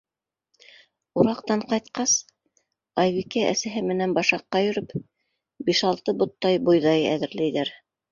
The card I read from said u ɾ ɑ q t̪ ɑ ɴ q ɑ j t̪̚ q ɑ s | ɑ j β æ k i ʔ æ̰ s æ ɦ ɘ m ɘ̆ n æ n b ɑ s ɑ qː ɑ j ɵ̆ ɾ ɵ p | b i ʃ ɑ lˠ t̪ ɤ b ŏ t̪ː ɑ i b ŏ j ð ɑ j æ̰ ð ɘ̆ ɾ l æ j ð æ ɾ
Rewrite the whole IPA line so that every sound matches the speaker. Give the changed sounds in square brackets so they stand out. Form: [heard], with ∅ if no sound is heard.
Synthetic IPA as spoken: u ɾ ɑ q t̪ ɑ ɴ q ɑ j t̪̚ q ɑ s | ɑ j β [i] k [æ] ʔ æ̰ s æ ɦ ɘ m ɘ̆ n æ n b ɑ [ʃ] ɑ qː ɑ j ɵ̆ ɾ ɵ p | b i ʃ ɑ lˠ t̪ ɤ b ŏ t̪ː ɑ [j] b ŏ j ð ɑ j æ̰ ð ɘ̆ ɾ l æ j ð æ ɾ